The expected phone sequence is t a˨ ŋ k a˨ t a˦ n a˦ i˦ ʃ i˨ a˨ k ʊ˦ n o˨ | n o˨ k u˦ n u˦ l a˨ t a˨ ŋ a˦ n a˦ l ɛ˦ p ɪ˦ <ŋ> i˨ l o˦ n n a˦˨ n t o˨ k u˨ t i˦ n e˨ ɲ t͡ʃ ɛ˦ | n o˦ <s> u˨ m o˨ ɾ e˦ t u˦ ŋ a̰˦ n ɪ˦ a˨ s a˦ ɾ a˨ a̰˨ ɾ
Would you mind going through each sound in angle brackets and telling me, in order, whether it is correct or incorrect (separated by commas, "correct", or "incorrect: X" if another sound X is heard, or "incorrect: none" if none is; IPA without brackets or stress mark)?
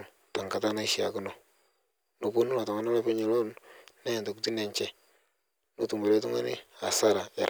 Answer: incorrect: ɲ, incorrect: t